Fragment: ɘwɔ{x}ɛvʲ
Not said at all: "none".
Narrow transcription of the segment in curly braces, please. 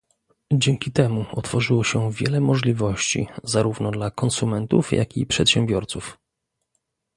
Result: ɕ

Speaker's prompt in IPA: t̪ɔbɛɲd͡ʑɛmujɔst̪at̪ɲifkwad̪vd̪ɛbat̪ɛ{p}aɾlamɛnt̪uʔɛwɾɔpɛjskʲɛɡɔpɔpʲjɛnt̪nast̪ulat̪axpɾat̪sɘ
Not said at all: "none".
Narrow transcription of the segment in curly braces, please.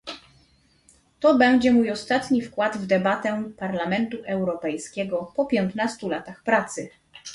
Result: p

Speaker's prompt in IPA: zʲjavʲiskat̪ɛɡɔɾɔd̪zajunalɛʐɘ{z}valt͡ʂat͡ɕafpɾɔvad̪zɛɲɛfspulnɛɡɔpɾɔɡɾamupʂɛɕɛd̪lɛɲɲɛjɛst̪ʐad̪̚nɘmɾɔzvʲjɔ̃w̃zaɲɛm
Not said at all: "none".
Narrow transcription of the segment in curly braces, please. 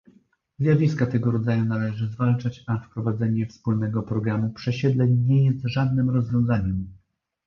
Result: z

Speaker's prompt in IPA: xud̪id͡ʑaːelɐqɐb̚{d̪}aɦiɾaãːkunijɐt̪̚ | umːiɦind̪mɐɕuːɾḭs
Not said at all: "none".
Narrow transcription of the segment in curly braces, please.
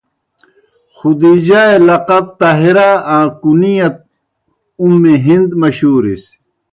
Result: t̪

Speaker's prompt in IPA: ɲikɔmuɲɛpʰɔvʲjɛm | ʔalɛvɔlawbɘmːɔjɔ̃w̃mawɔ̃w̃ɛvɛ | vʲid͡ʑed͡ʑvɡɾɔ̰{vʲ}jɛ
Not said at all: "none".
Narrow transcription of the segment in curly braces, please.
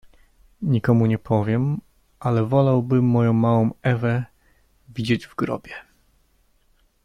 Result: bʲ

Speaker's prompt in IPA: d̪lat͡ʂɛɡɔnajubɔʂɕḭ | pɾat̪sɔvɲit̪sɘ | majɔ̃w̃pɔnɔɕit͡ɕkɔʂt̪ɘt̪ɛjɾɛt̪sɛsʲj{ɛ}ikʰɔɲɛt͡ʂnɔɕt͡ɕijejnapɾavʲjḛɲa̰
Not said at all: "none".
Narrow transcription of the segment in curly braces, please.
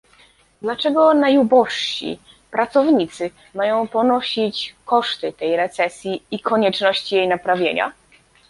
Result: i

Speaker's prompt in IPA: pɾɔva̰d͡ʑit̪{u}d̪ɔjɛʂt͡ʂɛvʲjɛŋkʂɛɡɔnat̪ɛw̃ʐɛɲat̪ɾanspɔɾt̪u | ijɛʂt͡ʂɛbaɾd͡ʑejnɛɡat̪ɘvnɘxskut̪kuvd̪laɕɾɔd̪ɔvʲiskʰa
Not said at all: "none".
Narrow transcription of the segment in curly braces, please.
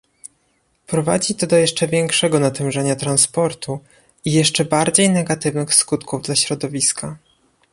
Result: ɔ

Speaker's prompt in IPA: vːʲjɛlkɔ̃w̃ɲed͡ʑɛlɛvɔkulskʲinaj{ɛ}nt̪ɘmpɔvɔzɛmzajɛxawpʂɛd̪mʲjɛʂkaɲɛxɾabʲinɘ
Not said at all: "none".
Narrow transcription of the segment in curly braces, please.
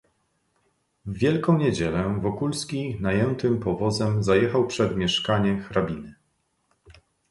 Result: ɛ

